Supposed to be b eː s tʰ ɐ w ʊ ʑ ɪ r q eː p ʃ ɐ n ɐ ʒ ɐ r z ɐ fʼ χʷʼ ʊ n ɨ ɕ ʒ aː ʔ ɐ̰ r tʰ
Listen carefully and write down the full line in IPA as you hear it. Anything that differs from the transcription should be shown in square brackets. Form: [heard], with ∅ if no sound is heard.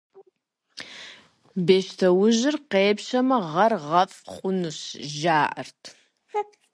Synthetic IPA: b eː [ʃ] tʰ ɐ w ʊ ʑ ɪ r q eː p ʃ ɐ [m] ɐ [ʁ] ɐ r [ʁ] ɐ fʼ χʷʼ ʊ n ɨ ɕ ʒ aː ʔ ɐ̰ r tʰ